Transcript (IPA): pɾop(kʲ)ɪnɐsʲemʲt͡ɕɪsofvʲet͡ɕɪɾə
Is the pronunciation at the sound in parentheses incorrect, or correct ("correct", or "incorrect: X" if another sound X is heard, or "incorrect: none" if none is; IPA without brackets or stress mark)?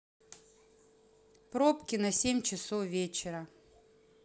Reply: correct